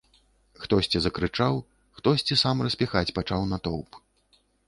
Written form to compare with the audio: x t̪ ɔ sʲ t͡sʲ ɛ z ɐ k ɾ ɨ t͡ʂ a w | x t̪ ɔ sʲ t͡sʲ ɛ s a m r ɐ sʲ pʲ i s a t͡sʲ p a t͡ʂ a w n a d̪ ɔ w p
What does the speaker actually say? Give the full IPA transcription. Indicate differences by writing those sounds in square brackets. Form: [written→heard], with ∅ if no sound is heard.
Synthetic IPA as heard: x t̪ ɔ sʲ t͡sʲ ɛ z ɐ k ɾ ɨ t͡ʂ a w | x t̪ ɔ sʲ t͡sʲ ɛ s a m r ɐ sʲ pʲ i [s→x] a t͡sʲ p a t͡ʂ a w n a [d̪→t̪] ɔ w p